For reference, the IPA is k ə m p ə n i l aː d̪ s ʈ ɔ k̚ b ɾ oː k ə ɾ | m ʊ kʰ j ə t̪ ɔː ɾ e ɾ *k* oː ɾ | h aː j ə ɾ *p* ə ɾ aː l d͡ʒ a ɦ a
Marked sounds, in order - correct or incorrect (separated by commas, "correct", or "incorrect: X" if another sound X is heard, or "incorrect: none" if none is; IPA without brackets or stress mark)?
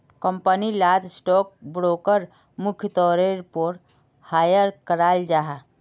incorrect: p, incorrect: k